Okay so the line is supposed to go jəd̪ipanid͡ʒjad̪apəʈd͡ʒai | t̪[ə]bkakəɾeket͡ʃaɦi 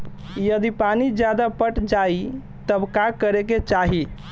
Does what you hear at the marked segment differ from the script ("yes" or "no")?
no